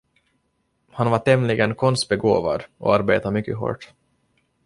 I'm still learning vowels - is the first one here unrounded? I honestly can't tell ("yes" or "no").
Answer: yes